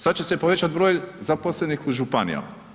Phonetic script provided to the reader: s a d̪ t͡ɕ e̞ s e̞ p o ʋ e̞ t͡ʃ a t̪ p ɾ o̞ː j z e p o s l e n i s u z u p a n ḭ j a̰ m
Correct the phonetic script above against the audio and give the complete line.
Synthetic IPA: s a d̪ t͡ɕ e̞ s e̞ p o ʋ e̞ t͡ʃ a t̪ b ɾ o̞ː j z a p o s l e n i x u ʒ u p a n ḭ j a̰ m